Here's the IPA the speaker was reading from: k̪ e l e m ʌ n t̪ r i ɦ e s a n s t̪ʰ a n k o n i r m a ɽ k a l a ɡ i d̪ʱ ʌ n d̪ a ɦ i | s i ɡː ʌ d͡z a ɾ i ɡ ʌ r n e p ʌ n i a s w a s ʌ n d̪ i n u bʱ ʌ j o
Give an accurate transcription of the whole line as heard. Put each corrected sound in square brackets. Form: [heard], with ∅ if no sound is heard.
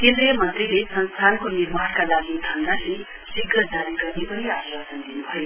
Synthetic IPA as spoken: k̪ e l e m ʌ n t̪ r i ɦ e s [ʌ] n s t̪ʰ a n k o n i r m a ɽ k a l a ɡ i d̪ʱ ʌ n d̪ a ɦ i | s i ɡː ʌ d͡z a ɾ i ɡ ʌ r n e p ʌ n i a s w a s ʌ n d̪ i n u bʱ ʌ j o